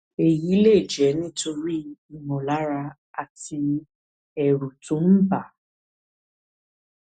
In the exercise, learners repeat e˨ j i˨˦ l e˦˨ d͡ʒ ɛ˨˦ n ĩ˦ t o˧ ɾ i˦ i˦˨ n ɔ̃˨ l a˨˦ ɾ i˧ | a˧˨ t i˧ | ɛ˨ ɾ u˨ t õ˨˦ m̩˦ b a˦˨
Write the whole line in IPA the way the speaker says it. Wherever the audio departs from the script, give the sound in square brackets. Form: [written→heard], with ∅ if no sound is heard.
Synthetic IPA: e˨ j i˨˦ l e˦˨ d͡ʒ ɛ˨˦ n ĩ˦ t o˧ ɾ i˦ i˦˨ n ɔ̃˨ l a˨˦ ɾ [i˧→a˧] | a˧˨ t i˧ | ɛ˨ ɾ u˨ t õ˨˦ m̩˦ b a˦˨